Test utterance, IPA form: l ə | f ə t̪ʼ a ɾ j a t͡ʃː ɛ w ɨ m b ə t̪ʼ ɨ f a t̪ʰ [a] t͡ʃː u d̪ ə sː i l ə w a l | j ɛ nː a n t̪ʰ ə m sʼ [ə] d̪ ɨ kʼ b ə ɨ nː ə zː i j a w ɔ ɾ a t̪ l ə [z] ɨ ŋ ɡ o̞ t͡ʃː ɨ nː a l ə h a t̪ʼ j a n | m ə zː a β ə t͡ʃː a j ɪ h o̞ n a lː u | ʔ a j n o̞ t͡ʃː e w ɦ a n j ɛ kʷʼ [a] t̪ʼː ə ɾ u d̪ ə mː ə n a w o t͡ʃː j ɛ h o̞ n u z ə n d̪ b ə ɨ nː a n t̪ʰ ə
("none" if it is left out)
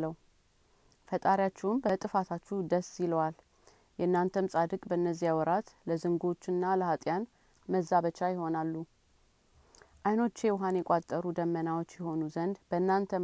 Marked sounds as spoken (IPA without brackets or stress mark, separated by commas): a, a, z, a